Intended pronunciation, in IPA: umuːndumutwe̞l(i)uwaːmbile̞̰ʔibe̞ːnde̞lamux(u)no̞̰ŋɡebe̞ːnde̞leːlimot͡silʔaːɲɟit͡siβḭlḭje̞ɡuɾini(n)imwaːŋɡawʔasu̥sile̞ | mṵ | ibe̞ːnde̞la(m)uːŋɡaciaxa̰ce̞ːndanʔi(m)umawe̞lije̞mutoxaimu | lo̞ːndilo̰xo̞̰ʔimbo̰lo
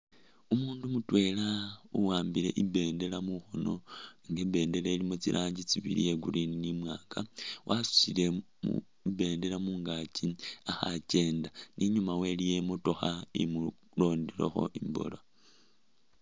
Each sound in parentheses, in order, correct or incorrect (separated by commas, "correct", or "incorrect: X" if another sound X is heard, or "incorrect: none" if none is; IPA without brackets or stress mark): incorrect: a, incorrect: o, correct, correct, incorrect: ɲ